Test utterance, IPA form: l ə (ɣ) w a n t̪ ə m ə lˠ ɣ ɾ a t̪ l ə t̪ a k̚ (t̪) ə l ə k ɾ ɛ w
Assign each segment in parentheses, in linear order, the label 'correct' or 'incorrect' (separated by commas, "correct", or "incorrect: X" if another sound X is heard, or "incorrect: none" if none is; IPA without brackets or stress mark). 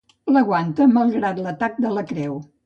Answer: correct, incorrect: d̪